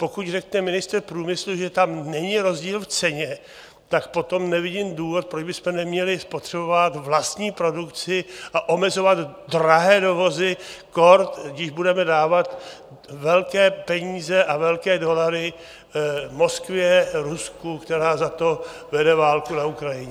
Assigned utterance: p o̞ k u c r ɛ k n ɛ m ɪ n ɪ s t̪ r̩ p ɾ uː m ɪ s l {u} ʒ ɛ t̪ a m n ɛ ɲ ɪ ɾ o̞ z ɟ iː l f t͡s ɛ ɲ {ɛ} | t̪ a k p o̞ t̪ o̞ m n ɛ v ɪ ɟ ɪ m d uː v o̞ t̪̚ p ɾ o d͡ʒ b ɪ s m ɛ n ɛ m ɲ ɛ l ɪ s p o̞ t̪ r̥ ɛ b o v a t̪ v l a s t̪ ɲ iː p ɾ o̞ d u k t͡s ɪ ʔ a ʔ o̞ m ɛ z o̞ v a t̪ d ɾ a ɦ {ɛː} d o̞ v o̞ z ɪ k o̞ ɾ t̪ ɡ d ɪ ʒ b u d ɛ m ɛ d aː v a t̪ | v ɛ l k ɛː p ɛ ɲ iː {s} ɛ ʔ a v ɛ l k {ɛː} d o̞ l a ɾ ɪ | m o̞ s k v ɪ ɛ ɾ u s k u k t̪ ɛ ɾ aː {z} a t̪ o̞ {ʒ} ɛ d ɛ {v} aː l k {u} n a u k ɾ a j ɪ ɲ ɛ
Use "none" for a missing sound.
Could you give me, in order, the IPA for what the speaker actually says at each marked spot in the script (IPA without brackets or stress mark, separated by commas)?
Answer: u, ɛ, ɛː, z, ɛː, z, v, v, u